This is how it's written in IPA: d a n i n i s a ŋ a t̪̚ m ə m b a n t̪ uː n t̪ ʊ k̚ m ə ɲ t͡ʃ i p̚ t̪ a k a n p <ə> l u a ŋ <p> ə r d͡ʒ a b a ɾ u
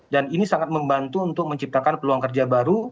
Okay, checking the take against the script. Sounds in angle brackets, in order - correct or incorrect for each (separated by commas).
correct, incorrect